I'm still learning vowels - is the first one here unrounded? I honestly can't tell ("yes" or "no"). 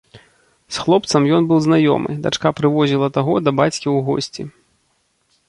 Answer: no